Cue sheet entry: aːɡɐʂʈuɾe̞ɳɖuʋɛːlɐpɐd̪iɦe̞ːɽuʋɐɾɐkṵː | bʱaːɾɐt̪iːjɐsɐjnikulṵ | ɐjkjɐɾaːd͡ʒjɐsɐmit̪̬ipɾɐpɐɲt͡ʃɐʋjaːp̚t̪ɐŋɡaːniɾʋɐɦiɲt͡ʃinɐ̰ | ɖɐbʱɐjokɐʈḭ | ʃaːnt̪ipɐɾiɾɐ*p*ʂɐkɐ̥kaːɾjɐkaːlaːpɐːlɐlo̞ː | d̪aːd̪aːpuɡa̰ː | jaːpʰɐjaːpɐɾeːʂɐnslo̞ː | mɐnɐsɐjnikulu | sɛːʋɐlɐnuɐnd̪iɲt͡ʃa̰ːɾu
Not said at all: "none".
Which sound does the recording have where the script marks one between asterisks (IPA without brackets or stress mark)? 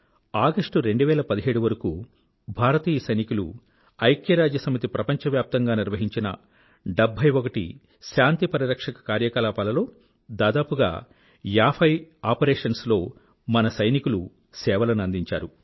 k